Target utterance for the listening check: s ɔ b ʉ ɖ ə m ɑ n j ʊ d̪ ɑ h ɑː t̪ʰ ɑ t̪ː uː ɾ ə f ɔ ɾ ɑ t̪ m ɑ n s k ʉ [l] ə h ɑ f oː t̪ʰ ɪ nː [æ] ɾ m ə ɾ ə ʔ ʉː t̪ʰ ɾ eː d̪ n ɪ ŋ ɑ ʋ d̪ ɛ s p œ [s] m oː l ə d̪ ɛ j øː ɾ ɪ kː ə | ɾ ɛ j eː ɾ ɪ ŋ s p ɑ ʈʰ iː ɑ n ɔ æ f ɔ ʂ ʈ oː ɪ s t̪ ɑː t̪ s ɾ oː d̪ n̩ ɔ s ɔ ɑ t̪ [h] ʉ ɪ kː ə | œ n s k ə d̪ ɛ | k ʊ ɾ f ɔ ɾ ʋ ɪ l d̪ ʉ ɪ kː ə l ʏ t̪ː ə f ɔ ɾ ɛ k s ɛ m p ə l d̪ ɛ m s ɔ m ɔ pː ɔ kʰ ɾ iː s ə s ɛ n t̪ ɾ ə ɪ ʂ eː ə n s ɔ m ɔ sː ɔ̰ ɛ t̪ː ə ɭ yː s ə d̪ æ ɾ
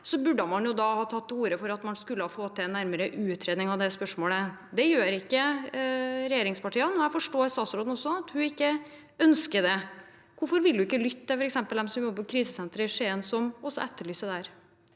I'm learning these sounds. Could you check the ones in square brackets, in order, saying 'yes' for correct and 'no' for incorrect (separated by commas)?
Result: no, yes, no, yes